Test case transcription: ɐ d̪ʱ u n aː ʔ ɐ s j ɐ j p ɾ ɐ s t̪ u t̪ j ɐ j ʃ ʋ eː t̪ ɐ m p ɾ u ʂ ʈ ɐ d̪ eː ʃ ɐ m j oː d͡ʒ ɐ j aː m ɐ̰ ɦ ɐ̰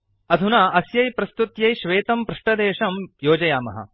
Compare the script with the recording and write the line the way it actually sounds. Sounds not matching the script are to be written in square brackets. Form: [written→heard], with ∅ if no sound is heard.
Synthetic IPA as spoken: ɐ d̪ʱ u n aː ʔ ɐ s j ɐ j p ɾ ɐ s t̪ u t̪ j ɐ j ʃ ʋ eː t̪ ɐ m p ɾ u ʂ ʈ ɐ d̪ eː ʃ ɐ m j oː d͡ʒ ɐ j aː m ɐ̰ ɦ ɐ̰